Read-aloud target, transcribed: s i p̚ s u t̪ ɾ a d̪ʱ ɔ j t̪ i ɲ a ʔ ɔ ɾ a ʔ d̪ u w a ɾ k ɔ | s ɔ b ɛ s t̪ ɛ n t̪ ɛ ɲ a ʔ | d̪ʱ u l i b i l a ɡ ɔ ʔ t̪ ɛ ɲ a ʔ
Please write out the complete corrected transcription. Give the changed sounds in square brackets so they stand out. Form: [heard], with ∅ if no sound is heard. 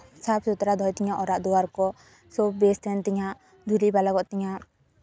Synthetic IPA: s [a] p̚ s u t̪ ɾ a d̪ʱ ɔ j t̪ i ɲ a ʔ ɔ ɾ a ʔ d̪ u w a ɾ k ɔ | s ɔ b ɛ s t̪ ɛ n t̪ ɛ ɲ a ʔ | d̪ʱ u l i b [a] l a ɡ ɔ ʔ t̪ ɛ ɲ a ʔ